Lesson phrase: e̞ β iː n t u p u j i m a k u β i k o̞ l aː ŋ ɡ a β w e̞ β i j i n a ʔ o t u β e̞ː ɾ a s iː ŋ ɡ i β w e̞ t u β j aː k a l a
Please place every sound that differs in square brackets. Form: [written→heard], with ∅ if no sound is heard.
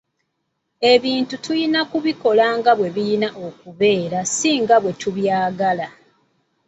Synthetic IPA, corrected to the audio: e̞ β iː n t u [p→t] u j i [m→n] a k u β i k o̞ l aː ŋ ɡ a β w e̞ β i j i n a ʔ o [t→k] u β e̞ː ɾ a s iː ŋ ɡ [i→a] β w e̞ t u β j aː [k→ɡ] a l a